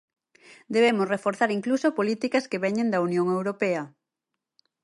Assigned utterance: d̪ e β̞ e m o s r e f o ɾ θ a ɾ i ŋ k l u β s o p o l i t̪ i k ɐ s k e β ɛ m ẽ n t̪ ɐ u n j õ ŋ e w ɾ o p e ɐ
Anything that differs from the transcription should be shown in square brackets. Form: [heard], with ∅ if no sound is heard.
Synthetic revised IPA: d̪ e β̞ e m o s r e f o ɾ θ a ɾ i ŋ k l u [∅] s o p o l i t̪ i k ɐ s k e β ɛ [ɲ] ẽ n [d̪] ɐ u n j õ ŋ e w ɾ o p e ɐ